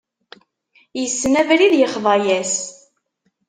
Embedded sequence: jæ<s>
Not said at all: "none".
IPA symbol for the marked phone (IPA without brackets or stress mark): s